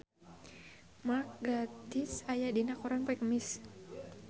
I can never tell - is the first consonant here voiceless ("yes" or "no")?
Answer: no